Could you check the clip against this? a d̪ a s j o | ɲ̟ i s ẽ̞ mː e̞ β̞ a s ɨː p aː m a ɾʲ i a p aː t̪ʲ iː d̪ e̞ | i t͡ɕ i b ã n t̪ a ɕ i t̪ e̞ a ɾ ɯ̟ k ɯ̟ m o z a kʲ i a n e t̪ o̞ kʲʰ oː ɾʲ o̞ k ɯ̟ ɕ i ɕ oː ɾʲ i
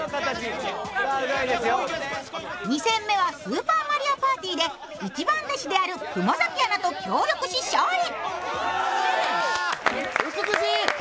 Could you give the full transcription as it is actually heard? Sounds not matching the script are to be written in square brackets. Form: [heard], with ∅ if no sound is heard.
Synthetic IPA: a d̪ [e] s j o | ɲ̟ i s ẽ̞ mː e̞ β̞ a s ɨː p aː m a ɾʲ i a p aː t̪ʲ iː d̪ e̞ | i t͡ɕ i b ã n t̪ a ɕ i [d̪] e̞ a ɾ ɯ̟ k ɯ̟ m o z a kʲ i a n [a] t̪ o̞ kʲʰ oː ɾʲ o̞ k ɯ̟ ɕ i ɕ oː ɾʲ i

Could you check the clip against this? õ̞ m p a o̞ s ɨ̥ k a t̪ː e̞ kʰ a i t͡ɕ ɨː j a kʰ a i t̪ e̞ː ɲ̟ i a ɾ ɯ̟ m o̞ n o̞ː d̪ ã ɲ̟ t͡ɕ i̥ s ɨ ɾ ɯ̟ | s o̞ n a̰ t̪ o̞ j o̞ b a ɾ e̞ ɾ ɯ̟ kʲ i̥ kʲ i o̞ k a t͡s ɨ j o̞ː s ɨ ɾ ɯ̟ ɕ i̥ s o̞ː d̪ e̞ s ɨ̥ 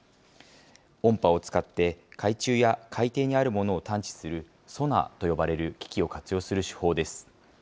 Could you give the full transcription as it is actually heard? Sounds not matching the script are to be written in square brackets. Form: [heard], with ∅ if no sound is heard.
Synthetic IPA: õ̞ m p a o̞ [t͡s] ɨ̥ k a t̪ː e̞ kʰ a i t͡ɕ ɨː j a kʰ a i t̪ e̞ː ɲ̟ i a ɾ ɯ̟ m o̞ n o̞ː [t̪] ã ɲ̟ t͡ɕ i̥ s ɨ ɾ ɯ̟ | s o̞ n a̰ t̪ o̞ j o̞ b a ɾ e̞ ɾ ɯ̟ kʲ i̥ kʲ i o̞ k a t͡s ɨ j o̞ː s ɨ ɾ ɯ̟ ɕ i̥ [h] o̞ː d̪ e̞ s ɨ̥

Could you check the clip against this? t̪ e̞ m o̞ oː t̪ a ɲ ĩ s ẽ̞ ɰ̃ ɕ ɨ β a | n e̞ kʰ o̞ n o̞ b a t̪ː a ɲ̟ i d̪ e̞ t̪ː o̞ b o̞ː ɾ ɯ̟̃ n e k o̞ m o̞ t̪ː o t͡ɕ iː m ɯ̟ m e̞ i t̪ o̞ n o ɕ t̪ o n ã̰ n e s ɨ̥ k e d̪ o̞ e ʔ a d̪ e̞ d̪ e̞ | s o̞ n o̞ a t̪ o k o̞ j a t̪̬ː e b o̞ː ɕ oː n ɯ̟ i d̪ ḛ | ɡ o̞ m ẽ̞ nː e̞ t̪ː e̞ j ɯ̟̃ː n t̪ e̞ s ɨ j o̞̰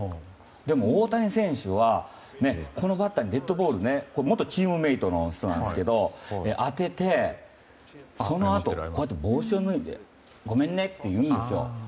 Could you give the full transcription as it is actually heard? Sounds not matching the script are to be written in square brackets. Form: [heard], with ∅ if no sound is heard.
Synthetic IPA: [d̪] e̞ m o̞ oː t̪ a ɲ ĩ s ẽ̞ ɰ̃ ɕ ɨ β a | n e̞ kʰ o̞ n o̞ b a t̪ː a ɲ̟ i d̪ e̞ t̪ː o̞ b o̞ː ɾ [ɯ̟] n e k o̞ m o̞ t̪ː o t͡ɕ iː m ɯ̟ m e̞ i t̪ o̞ n o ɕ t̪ o n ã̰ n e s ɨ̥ k e d̪ o̞ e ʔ a [t̪] e̞ [t̪] e̞ | s o̞ n o̞ a t̪ o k o̞ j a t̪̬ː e b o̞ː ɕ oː n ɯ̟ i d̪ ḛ | ɡ o̞ m ẽ̞ nː e̞ t̪ː e̞ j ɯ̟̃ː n [d̪] e̞ s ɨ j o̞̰

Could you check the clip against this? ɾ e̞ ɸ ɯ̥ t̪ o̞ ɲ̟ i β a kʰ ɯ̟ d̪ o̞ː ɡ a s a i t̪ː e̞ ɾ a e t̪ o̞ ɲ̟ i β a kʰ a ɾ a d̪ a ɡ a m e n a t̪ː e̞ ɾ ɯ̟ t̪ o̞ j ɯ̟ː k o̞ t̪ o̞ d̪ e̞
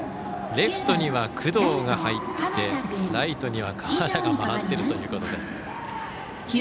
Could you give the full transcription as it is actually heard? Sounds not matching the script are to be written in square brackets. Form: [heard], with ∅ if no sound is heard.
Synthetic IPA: ɾ e̞ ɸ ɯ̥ t̪ o̞ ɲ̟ i β a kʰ ɯ̟ d̪ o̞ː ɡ a [h] a i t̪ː e̞ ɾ a [i] t̪ o̞ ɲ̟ i β a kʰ a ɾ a d̪ a ɡ a m [a] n a t̪ː e̞ ɾ ɯ̟ t̪ o̞ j ɯ̟ː k o̞ t̪ o̞ d̪ e̞

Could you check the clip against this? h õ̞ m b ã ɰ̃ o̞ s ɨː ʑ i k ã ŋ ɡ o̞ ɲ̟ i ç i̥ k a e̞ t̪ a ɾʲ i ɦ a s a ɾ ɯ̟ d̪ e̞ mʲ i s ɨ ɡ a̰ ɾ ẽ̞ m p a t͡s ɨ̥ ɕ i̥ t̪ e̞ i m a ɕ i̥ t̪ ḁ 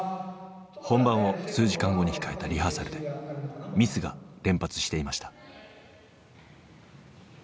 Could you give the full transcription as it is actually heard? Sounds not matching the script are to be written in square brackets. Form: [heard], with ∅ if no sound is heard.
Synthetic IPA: h õ̞ m b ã ɰ̃ o̞ s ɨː ʑ i k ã ŋ ɡ o̞ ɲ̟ i ç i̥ k a e̞ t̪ a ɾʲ i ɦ a s a ɾ ɯ̟ d̪ e̞ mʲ i s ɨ ɡ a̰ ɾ ẽ̞ m p a t͡s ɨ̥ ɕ i̥ t̪ e̞ i m a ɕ i̥ t̪ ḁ

